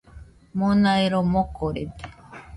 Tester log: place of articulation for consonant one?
labial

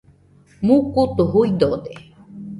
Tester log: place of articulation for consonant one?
labial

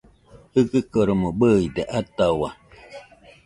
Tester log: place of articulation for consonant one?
glottal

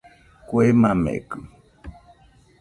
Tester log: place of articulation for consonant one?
velar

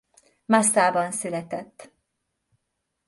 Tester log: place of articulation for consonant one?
labial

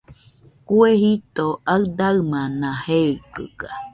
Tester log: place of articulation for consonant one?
velar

